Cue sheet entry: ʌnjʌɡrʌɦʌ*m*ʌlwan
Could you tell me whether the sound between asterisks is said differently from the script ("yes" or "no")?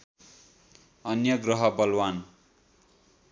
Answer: yes